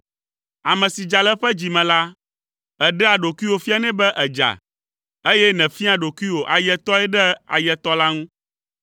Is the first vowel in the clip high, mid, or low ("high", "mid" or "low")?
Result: low